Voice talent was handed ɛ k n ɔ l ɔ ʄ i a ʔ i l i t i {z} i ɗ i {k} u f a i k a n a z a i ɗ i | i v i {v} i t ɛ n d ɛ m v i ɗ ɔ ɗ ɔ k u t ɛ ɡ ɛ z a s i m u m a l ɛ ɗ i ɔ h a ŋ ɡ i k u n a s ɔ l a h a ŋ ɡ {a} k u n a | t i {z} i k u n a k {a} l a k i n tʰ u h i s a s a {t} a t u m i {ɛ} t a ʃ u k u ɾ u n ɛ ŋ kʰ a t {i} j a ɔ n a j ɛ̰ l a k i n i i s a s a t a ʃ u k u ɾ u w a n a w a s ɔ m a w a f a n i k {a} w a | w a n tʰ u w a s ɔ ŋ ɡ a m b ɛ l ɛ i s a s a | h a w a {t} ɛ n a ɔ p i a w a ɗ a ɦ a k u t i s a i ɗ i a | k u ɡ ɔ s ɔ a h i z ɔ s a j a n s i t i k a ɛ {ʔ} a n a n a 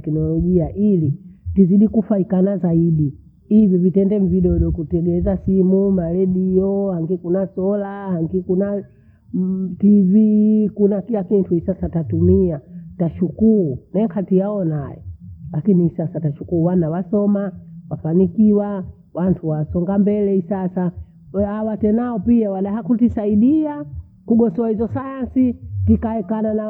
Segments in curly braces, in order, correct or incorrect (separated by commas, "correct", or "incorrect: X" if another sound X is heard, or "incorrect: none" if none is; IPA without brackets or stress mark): correct, correct, correct, incorrect: i, incorrect: v, incorrect: i, correct, incorrect: a, correct, incorrect: i, correct, incorrect: k